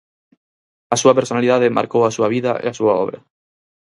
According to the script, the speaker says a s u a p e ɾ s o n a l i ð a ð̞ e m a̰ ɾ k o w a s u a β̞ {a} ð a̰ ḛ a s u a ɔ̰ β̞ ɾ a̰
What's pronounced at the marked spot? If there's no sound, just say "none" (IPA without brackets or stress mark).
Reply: i